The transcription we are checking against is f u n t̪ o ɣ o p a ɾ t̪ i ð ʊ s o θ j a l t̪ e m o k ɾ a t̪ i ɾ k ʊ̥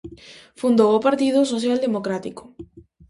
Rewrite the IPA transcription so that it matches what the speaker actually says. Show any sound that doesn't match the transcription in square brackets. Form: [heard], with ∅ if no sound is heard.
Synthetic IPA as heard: f u n [d̪] o [w] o p a ɾ t̪ i ð ʊ s o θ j a l [d̪] e m o k ɾ a t̪ i [∅] k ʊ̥